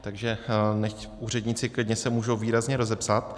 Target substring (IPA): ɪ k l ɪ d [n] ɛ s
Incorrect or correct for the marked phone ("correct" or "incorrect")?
incorrect